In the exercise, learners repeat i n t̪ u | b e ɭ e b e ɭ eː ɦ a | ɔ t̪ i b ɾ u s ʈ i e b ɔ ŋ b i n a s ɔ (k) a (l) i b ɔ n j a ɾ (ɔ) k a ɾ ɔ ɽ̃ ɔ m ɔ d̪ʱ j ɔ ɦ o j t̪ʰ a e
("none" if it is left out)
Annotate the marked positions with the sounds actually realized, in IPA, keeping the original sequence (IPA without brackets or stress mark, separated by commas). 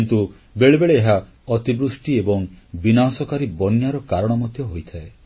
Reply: k, ɾ, ɔ